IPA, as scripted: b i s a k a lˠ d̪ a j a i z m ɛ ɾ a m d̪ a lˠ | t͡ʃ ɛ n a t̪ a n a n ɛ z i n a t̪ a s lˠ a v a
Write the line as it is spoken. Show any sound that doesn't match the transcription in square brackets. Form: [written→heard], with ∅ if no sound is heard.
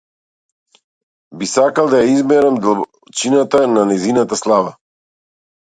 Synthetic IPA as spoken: b i s a k a lˠ d̪ a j a i z m ɛ ɾ a m d̪ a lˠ | t͡ʃ [ɛ→i] n a t̪ a n a n ɛ z i n a t̪ a s lˠ a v a

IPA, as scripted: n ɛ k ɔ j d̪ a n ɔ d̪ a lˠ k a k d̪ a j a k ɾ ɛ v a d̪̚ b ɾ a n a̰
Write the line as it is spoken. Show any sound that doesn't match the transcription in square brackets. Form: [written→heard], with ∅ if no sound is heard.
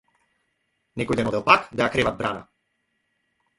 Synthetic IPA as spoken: n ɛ k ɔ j d̪ [a→ɛ] n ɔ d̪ [a→ɛ] lˠ [k→p] a k d̪ a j a k ɾ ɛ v a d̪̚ b ɾ a n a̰

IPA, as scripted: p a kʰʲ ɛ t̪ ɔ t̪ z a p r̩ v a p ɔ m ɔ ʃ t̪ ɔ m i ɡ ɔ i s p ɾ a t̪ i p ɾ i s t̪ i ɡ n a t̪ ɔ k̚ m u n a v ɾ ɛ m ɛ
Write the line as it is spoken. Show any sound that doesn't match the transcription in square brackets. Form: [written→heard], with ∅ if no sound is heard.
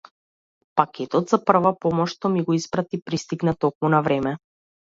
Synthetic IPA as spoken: p a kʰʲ ɛ t̪ ɔ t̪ z a p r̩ v a p ɔ m ɔ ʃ t̪ ɔ m i ɡ ɔ i s p ɾ a t̪ i p ɾ i s t̪ i ɡ n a t̪ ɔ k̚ m u n a v ɾ ɛ m ɛ

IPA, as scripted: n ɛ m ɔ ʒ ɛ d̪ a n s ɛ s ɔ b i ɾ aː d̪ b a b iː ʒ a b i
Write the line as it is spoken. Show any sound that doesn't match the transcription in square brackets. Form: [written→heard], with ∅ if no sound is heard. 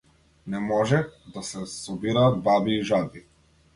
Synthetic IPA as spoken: n ɛ m ɔ ʒ ɛ d̪ a [n→∅] s ɛ s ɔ b i ɾ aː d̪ b a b iː ʒ a b i

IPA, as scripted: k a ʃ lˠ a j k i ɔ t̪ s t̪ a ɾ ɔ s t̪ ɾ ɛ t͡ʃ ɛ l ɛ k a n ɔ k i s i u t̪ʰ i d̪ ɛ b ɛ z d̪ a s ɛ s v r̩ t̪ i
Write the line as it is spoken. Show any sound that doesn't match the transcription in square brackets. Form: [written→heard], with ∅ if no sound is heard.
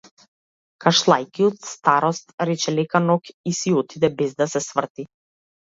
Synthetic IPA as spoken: k a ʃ lˠ a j k i ɔ t̪ s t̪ a ɾ ɔ s t̪ ɾ ɛ t͡ʃ ɛ l ɛ k a n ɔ k i s i [u→ɔ] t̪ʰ i d̪ ɛ b ɛ z d̪ a s ɛ s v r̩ t̪ i

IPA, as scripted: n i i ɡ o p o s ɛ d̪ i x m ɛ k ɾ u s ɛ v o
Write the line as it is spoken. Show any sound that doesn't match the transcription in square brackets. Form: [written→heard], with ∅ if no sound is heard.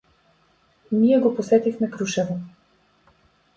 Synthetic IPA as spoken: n i [i→ɛ] ɡ o p o s ɛ [d̪→t̪] i x m ɛ k ɾ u [s→ʃ] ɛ v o

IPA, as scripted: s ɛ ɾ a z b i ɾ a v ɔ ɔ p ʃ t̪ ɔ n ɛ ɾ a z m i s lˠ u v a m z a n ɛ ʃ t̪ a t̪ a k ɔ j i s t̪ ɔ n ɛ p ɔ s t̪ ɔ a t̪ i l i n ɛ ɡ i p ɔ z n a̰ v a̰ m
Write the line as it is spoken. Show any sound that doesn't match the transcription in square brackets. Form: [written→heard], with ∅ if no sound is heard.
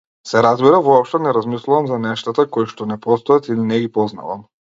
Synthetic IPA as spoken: s ɛ ɾ a z b i ɾ a v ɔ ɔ p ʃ t̪ ɔ n ɛ ɾ a z m i s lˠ u v a m z a n ɛ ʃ t̪ a t̪ a k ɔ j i [s→ʃ] t̪ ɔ n ɛ p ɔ s t̪ ɔ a t̪ i l i n ɛ ɡ i p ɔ z n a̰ v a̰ m

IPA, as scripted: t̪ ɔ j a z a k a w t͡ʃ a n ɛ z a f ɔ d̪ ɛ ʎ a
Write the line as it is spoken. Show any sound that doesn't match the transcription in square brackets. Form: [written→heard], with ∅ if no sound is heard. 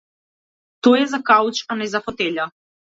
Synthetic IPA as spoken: t̪ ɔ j [a→ɛ] z a k a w t͡ʃ a n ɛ z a f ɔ [d̪→t̪] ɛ ʎ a

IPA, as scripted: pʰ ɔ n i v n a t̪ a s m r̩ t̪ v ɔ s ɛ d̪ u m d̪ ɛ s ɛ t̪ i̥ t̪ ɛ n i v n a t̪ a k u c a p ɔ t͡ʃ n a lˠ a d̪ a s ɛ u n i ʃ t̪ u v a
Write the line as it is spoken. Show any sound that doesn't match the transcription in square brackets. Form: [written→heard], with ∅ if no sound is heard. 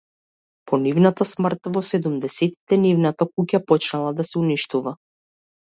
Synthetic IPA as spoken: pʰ ɔ n i v n a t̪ a s m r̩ t̪ v ɔ s ɛ d̪ u m d̪ ɛ s ɛ t̪ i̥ t̪ ɛ n i v n a t̪ a k u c a p ɔ t͡ʃ n a lˠ a d̪ a s ɛ u n i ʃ t̪ u v a

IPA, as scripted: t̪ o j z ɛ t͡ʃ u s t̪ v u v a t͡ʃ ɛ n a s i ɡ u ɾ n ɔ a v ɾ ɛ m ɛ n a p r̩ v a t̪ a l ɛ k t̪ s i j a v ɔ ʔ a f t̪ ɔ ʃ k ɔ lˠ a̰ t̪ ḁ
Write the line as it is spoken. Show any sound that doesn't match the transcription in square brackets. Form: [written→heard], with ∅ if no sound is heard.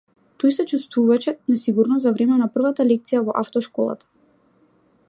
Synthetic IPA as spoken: t̪ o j [z→s] ɛ t͡ʃ u s t̪ v u v a t͡ʃ ɛ n a s i ɡ u ɾ n ɔ a v ɾ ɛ m ɛ n a p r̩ v a t̪ a l ɛ k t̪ s i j a v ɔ ʔ a f t̪ ɔ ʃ k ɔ lˠ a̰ t̪ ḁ

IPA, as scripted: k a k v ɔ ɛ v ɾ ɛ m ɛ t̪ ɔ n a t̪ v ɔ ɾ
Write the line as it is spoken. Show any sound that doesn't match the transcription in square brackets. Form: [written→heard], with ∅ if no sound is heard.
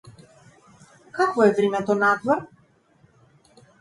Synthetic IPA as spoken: k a k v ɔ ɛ v ɾ [ɛ→i] m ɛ t̪ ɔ n a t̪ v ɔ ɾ

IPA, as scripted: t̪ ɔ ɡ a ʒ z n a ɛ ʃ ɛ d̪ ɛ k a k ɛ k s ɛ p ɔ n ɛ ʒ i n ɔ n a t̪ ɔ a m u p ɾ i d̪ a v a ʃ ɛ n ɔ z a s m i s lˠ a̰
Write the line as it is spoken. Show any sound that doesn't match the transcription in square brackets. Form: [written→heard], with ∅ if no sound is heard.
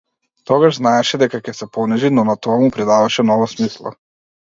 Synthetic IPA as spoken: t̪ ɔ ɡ a ʒ z n a ɛ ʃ ɛ d̪ ɛ k a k ɛ [k→∅] s ɛ p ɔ n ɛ ʒ i n ɔ n a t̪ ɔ a m u p ɾ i d̪ a v a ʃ ɛ n ɔ [z→v] a s m i s lˠ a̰

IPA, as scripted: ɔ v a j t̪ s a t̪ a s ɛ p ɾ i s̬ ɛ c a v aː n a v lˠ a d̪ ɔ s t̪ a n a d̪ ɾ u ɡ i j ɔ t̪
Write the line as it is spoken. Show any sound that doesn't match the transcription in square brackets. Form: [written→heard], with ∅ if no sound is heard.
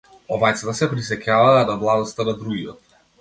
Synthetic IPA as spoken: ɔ v a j t̪ s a t̪ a s ɛ p ɾ i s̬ ɛ c a v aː n a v lˠ a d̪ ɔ s t̪ a n a d̪ ɾ u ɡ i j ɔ t̪

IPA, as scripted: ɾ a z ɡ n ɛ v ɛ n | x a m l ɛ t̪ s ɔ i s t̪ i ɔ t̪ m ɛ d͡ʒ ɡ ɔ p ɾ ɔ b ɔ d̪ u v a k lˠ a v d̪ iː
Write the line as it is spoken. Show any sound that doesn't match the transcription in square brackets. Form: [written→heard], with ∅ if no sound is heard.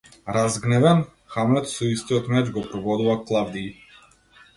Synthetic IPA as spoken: ɾ a z ɡ n ɛ v ɛ n | x a m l ɛ t̪ s ɔ i s t̪ i ɔ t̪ m ɛ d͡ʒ ɡ ɔ p ɾ ɔ [b→v] ɔ d̪ u v a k lˠ a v d̪ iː

